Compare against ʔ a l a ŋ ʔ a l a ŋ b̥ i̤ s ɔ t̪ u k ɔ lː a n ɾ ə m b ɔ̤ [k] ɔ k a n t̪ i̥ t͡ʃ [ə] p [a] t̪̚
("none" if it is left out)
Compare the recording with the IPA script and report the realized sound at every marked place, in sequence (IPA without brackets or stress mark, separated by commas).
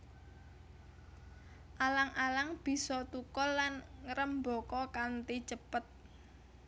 k, ə, ə